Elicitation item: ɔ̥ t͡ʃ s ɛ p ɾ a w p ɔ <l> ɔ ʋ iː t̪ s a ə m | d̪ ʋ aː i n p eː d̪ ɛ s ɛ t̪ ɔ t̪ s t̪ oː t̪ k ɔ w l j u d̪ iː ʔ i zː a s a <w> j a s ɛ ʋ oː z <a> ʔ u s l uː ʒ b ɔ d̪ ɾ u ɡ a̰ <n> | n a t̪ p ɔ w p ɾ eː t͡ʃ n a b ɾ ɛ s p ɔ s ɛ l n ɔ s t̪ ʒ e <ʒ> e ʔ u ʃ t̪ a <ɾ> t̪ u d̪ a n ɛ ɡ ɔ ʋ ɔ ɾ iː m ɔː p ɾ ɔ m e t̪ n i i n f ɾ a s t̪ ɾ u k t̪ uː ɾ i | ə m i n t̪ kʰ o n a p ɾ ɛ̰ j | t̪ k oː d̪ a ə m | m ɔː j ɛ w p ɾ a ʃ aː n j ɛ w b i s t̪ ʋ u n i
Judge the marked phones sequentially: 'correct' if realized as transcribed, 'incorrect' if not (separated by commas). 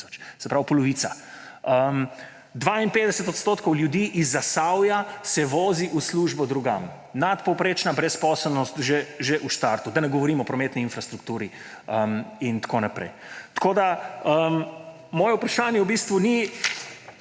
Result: correct, correct, incorrect, incorrect, correct, correct